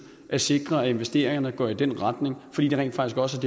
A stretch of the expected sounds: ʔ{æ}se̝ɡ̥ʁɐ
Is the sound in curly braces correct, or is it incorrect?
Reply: correct